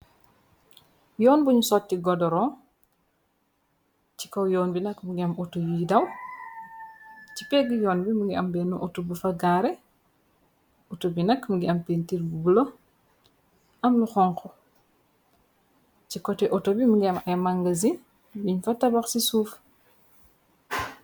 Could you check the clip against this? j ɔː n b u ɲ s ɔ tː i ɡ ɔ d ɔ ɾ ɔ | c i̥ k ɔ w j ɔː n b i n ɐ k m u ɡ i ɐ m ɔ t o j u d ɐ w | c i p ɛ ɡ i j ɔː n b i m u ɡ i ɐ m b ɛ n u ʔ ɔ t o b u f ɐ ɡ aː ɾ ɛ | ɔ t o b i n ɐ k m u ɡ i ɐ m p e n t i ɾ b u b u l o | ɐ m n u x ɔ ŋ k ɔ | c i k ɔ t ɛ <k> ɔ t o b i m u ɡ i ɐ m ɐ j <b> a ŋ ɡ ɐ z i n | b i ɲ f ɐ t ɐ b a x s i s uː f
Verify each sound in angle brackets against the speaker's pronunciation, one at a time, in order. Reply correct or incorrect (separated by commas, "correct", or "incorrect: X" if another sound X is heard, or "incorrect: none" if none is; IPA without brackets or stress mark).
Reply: incorrect: ʔ, incorrect: m